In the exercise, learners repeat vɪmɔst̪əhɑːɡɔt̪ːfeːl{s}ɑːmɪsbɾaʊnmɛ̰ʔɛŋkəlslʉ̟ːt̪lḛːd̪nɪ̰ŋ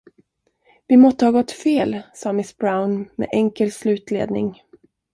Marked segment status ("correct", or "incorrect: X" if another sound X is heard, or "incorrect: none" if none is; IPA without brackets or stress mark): correct